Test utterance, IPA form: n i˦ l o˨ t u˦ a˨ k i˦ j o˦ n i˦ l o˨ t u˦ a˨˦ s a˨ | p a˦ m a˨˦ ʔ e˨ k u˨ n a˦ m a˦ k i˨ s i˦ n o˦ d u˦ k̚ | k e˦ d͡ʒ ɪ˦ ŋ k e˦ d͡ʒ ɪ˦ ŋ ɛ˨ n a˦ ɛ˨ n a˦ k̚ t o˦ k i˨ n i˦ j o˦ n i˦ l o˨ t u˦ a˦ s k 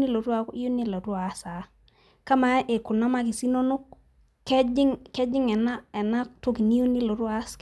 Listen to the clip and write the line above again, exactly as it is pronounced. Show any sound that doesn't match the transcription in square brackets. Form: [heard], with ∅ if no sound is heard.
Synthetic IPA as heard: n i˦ l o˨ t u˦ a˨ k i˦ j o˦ n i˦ l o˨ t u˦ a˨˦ s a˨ | [k] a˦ m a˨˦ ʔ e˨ k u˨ n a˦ m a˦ k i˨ s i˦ n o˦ [n] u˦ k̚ | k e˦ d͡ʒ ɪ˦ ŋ k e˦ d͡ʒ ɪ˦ ŋ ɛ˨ n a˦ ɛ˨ n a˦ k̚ t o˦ k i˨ n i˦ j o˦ n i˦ l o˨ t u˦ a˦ s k